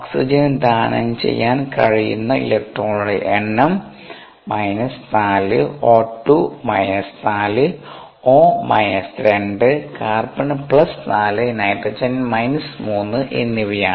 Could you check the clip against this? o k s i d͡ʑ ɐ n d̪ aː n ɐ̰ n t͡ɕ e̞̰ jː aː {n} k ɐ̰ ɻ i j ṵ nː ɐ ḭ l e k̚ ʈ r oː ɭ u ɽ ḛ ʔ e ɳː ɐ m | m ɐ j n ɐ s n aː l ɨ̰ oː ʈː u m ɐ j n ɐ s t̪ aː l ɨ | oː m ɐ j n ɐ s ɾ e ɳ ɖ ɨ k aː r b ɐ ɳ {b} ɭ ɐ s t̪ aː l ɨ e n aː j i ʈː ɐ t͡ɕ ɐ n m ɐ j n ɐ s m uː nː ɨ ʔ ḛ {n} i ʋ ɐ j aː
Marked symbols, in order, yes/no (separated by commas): yes, no, no